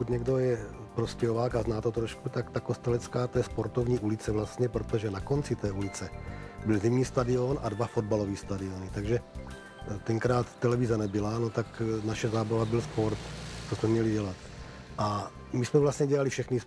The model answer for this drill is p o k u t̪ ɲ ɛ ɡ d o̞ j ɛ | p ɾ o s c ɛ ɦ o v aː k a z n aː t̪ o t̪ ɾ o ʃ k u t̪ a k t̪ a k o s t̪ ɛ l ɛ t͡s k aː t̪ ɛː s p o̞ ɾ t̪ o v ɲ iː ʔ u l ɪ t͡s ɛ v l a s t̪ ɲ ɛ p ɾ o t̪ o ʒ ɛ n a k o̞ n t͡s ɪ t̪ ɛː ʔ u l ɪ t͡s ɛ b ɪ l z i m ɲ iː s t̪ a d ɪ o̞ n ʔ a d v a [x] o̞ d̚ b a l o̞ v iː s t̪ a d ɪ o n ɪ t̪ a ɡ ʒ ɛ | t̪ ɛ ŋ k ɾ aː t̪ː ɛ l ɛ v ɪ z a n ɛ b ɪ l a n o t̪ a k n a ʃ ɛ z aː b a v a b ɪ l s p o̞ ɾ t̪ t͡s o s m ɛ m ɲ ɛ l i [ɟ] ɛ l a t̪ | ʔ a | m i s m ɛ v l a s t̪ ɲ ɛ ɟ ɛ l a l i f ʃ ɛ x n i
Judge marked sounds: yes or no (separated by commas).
no, yes